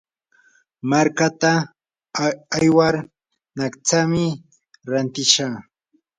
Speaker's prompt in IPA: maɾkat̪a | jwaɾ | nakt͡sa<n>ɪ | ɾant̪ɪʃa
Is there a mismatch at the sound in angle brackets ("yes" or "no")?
yes